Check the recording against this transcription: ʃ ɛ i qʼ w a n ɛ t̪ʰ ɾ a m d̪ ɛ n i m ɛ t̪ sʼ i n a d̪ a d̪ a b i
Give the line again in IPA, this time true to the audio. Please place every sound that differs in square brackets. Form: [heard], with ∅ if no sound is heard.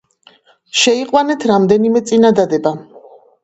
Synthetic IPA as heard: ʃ ɛ i qʼ w a n ɛ t̪ʰ ɾ a m d̪ ɛ n i m ɛ t̪ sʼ i n a d̪ a d̪ [ɛ] b [a]